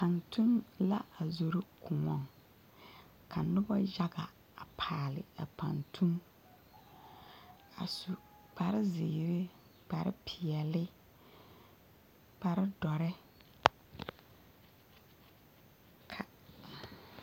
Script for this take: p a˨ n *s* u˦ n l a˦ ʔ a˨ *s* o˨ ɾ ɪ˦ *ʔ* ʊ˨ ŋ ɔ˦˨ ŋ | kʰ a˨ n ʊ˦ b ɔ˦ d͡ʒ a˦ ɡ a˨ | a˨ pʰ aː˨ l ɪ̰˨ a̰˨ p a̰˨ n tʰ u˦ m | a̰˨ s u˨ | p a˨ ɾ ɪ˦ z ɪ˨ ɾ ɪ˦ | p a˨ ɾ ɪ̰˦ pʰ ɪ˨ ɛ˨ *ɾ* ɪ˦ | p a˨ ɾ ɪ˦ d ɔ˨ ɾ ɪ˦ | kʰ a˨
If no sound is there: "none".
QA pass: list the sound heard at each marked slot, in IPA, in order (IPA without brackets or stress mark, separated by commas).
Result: t, z, k, l